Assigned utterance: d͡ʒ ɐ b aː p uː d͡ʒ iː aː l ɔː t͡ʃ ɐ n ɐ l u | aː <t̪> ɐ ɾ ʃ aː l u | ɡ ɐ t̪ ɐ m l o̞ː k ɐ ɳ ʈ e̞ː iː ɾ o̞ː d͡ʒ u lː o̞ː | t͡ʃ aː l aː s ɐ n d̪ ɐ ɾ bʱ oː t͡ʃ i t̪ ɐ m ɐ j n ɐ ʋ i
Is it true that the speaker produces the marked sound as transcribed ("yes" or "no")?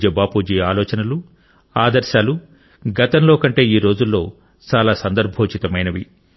no